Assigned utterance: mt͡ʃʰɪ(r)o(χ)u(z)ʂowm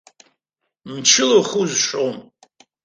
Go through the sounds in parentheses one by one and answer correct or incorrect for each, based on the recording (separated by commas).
incorrect, correct, correct